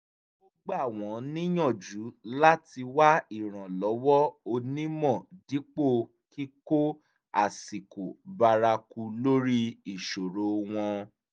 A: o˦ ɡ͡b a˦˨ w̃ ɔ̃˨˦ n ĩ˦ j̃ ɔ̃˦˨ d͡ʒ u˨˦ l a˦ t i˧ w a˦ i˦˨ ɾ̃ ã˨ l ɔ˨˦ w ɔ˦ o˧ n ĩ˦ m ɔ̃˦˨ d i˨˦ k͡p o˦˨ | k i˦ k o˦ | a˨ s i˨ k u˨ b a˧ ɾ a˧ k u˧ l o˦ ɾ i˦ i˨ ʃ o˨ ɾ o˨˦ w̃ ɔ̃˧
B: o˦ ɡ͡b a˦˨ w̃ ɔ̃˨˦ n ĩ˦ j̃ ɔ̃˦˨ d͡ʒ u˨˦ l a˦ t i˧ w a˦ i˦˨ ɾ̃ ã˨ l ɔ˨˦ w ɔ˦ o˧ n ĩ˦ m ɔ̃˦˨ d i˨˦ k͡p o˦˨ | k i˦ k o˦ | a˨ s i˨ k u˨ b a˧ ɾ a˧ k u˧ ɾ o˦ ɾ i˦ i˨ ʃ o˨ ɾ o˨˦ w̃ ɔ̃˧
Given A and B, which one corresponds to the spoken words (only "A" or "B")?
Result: A